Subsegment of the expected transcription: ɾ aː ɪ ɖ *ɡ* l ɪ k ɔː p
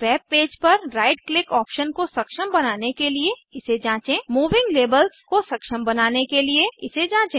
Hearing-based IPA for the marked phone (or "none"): k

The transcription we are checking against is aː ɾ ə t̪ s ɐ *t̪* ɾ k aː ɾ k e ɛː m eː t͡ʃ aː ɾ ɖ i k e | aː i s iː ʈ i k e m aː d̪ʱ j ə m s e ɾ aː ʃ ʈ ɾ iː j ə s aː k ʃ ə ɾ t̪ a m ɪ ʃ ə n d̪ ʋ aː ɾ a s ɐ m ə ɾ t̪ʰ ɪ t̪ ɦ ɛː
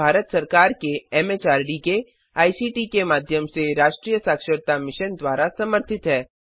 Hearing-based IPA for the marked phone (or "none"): none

